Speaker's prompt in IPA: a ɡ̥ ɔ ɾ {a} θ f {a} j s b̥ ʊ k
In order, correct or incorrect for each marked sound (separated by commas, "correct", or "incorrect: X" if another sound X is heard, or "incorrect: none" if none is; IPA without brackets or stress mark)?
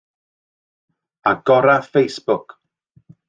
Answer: correct, incorrect: e